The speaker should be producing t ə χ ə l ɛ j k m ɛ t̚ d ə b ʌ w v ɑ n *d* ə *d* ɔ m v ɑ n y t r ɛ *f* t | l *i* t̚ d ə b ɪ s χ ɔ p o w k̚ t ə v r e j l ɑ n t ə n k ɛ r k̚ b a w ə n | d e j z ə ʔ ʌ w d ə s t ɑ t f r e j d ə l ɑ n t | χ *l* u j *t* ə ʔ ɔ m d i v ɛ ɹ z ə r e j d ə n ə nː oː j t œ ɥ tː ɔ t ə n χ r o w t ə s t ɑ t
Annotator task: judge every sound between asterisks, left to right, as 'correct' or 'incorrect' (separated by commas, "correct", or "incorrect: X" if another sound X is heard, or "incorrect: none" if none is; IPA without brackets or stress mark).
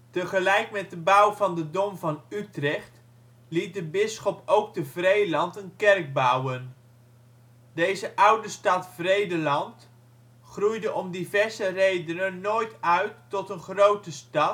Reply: correct, correct, incorrect: χ, correct, incorrect: r, incorrect: d